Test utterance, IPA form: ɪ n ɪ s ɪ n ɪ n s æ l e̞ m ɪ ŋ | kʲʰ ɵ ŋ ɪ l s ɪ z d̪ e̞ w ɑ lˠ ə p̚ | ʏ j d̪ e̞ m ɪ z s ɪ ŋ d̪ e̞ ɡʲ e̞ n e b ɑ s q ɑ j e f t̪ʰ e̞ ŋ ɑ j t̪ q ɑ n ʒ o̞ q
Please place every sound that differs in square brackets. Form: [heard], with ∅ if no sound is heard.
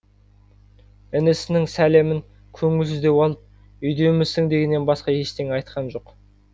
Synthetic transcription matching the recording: ɪ n ɪ s ɪ n ɪ [ŋ] s æ l e̞ m ɪ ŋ | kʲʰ ɵ ŋ ɪ l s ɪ z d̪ e̞ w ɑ lˠ ə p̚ | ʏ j d̪ e̞ m ɪ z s ɪ ŋ d̪ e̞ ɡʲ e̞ [nː] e b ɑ s q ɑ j e [ʃ] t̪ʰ e̞ ŋ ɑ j t̪ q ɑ n ʒ o̞ q